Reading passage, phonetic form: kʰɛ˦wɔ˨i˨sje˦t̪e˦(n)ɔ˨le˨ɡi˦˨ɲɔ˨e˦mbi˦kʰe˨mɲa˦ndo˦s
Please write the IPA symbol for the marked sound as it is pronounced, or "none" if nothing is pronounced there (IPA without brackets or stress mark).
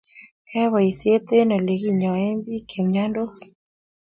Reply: n